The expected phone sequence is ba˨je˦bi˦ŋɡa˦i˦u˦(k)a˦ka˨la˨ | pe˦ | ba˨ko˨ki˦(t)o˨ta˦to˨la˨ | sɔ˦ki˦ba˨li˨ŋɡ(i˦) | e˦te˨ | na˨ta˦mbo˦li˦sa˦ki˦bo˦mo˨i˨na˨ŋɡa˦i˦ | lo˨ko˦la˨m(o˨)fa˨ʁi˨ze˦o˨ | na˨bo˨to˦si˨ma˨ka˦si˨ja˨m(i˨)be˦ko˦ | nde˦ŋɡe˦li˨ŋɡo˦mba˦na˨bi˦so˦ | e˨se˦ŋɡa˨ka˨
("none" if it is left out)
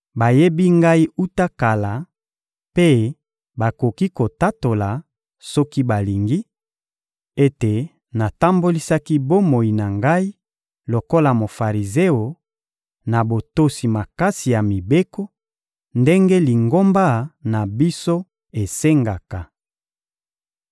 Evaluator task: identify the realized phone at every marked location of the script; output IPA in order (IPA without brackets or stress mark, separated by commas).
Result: t, k, i˦, o˨, i˨